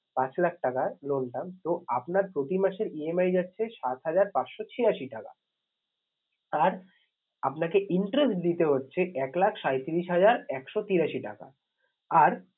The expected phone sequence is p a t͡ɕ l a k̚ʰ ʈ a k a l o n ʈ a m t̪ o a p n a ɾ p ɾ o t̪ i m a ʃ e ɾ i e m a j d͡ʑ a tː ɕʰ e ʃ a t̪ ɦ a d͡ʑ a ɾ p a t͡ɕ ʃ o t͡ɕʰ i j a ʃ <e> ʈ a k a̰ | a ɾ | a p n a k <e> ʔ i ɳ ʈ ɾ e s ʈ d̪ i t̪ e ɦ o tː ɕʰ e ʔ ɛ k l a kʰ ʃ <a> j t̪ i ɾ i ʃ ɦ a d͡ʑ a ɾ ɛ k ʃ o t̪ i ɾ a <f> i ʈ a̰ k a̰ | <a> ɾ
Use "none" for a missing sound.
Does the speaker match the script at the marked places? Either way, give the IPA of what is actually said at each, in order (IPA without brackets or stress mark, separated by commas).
i, e, a, ʃ, a